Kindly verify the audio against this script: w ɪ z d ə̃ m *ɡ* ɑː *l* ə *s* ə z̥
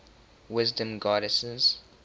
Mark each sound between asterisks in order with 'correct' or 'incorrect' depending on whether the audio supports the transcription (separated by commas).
correct, incorrect, correct